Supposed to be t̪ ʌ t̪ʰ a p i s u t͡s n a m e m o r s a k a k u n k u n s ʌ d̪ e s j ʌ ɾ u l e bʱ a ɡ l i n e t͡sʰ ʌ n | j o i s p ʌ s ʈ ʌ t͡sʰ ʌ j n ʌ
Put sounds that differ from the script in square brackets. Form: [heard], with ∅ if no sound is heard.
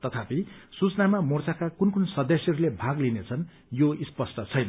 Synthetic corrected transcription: t̪ ʌ t̪ʰ a p i s u t͡s n a m [a] m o r [t͡s] a k a k u n k u n s ʌ d̪ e s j ʌ ɾ u l e bʱ a ɡ l i n e t͡sʰ ʌ n | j o i s p ʌ s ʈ ʌ t͡sʰ ʌ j n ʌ